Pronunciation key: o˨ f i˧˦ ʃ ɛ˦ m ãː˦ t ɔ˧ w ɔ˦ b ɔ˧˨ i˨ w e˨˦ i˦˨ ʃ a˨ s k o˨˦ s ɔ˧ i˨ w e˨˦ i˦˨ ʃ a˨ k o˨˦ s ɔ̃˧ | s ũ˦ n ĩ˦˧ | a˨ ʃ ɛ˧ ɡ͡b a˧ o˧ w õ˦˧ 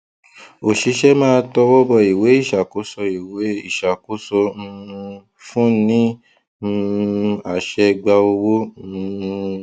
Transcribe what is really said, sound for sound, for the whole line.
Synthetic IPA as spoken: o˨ ʃ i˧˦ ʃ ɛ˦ m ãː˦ t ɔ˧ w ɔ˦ b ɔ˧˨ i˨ w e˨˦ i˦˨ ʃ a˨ k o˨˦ s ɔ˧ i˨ w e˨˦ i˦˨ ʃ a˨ k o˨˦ s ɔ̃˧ | f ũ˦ n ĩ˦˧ | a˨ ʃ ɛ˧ ɡ͡b a˧ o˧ w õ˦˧